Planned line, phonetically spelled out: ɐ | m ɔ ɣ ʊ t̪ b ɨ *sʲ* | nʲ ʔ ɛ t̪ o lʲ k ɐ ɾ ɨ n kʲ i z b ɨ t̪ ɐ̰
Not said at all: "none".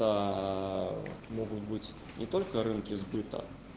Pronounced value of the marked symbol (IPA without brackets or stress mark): t͡sʲ